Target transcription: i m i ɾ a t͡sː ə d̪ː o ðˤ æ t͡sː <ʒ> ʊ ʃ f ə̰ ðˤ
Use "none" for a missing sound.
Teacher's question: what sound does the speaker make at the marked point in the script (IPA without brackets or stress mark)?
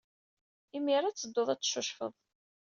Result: ʃ